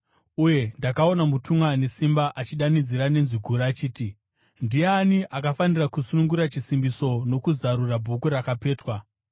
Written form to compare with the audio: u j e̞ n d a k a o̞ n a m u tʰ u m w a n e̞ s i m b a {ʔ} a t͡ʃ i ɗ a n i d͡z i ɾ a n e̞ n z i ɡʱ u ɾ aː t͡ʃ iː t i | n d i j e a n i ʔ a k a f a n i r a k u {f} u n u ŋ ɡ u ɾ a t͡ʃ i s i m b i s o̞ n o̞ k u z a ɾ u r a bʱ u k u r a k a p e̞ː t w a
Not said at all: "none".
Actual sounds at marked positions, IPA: ʔ, s

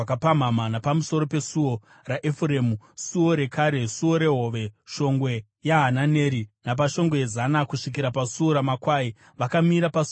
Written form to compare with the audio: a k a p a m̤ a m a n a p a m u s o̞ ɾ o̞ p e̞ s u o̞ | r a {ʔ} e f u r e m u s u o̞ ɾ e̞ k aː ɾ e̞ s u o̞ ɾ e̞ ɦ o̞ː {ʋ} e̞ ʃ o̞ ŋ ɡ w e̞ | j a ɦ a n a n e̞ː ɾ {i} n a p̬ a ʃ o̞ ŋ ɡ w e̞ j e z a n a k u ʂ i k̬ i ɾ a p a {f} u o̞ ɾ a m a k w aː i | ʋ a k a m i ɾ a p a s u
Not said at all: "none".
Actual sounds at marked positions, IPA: ʔ, ʋ, i, s

